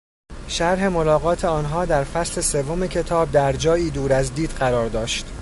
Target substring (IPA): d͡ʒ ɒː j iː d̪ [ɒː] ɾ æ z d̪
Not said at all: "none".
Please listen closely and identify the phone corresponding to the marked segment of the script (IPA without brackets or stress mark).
uː